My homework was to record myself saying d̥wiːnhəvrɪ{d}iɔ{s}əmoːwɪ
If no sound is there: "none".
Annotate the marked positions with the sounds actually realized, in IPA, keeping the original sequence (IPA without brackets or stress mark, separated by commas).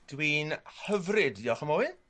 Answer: d, χ